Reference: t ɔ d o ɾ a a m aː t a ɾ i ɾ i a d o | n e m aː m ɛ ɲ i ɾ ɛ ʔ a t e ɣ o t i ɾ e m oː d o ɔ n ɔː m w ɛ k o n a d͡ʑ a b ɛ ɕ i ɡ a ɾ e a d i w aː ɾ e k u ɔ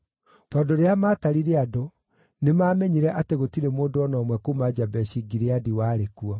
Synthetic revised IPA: t ɔ d o ɾ e a m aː t a ɾ i ɾ e a d o | n e m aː m ɛ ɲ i ɾ ɛ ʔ a t e ɣ o t i ɾ e m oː d o ɔ n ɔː m w ɛ k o m a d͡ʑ a b ɛ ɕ i ɡ i ɾ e a d i w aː ɾ e k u ɔ